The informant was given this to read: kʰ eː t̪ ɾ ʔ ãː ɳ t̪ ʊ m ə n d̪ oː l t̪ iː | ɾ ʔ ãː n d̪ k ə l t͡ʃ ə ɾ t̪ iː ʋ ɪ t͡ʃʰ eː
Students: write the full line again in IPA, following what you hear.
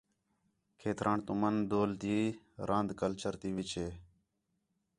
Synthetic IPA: kʰ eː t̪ ɾ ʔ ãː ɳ t̪ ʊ m ə n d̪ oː l t̪ iː | ɾ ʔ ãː n d̪ k ə l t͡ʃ ə ɾ t̪ iː ʋ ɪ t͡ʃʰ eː